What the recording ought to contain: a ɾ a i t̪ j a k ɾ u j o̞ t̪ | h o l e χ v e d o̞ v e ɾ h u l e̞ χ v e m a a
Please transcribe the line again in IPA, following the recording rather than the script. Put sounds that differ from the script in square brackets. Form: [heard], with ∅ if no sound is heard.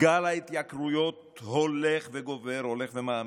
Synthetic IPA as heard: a [l] a i t̪ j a k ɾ u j o̞ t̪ | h o l e χ v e [ɡ] o̞ v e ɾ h [o] l e̞ χ v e m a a